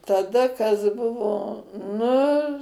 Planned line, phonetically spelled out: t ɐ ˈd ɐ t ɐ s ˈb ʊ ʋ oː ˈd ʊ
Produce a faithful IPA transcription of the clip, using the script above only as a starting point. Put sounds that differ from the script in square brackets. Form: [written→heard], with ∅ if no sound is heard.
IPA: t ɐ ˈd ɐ [t→k] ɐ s ˈb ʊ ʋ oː [ˈd→ˈn] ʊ

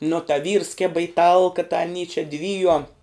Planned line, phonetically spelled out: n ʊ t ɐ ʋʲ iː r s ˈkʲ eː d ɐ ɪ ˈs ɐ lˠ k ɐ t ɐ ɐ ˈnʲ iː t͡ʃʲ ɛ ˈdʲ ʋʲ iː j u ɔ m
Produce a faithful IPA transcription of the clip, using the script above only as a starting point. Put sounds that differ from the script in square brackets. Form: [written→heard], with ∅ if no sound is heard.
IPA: n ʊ t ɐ ʋʲ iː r s ˈkʲ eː [d→b] ɐ ɪ [ˈs→ˈt] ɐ lˠ k ɐ t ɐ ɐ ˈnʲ iː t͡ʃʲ ɛ ˈdʲ ʋʲ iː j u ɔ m

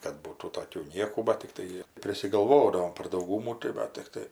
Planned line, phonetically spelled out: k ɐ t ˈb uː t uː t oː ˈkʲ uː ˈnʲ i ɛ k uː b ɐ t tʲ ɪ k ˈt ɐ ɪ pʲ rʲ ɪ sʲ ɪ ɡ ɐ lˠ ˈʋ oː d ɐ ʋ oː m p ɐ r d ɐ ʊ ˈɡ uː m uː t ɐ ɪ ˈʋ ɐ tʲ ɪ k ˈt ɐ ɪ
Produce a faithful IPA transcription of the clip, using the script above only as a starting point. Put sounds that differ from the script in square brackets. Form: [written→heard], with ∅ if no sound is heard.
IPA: k ɐ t ˈb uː t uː t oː ˈkʲ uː ˈnʲ i ɛ k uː b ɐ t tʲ ɪ k ˈt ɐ ɪ pʲ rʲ ɪ sʲ ɪ ɡ ɐ lˠ ˈʋ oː d ɐ ʋ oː m p ɐ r d ɐ ʊ ˈɡ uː m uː t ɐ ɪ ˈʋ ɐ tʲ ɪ k ˈt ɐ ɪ

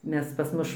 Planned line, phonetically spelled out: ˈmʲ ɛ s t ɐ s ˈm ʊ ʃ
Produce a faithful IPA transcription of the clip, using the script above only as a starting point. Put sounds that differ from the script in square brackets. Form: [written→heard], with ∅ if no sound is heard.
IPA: ˈmʲ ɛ s [t→p] ɐ s ˈm ʊ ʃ

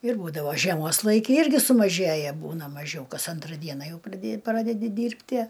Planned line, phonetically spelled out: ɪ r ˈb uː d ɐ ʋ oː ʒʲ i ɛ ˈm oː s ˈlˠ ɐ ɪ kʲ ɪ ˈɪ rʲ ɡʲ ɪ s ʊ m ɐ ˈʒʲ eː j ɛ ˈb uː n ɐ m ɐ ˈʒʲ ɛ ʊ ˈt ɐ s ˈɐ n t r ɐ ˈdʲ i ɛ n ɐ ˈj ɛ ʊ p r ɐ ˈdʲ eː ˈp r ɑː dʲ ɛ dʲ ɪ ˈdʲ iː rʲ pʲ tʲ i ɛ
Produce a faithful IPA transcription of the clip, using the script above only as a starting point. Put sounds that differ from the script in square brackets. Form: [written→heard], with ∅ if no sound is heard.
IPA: ɪ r ˈb uː d ɐ ʋ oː ʒʲ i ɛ ˈm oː s ˈlˠ ɐ ɪ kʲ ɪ ˈɪ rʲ ɡʲ ɪ s ʊ m ɐ ˈʒʲ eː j ɛ ˈb uː n ɐ m ɐ ˈʒʲ ɛ ʊ [ˈt→ˈk] ɐ s ˈɐ n t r ɐ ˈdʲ i ɛ n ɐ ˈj ɛ ʊ p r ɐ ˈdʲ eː ˈp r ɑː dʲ ɛ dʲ ɪ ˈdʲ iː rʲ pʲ tʲ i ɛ

